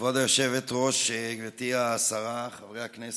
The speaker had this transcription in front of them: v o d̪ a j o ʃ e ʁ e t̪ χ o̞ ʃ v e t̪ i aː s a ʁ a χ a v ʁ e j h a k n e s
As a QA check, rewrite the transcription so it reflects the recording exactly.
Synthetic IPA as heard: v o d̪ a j o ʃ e v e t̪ ʁ o̞ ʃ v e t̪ i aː s a ʁ a χ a v ʁ e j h a k n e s